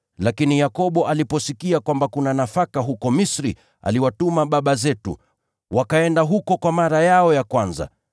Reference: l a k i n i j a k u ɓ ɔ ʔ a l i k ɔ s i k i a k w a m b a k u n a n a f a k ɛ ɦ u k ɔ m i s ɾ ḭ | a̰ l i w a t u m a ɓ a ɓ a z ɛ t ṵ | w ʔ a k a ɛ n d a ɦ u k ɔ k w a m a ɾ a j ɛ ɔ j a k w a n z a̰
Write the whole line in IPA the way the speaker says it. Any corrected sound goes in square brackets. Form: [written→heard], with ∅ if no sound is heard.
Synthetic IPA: l a k i n i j a k [u→ɔ] ɓ ɔ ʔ a l i [k→p] ɔ s i k i a k w a m b a k u n a n a f a k [ɛ→a] ɦ u k ɔ m i s ɾ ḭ | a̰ l i w a t u m a ɓ a ɓ a z ɛ t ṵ | w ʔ a k a ɛ n d a ɦ u k ɔ k w a m a ɾ a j [ɛ→a] ɔ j a k w a n z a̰